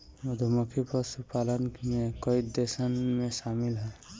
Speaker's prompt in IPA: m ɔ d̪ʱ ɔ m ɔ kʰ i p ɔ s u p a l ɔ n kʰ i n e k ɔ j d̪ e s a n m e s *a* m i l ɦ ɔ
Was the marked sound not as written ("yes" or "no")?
no